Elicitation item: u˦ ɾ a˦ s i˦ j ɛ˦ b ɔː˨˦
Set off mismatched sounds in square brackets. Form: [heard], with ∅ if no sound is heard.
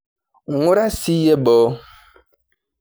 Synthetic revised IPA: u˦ ɾ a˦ s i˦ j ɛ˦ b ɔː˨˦

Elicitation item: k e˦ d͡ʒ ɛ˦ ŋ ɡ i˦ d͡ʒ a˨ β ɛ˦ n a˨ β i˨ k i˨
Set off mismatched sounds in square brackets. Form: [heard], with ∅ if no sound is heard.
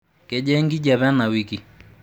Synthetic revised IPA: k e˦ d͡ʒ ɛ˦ ŋ ɡ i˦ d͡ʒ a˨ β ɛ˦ n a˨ [w] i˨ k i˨

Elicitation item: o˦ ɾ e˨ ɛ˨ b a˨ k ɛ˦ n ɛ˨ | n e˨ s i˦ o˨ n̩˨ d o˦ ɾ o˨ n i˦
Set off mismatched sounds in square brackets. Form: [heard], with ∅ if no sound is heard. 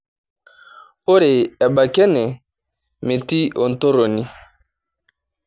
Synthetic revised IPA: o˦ ɾ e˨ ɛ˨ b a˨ k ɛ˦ n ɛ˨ | [m] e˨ [t] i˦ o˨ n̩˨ [t] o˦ ɾ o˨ n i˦

